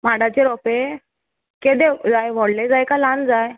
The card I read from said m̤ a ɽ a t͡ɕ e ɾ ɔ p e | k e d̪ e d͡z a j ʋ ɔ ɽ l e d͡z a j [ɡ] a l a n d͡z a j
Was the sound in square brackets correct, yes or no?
no